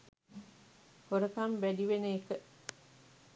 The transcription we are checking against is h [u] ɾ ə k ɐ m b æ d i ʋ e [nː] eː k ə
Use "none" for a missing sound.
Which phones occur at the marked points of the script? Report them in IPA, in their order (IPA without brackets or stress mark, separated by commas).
o, n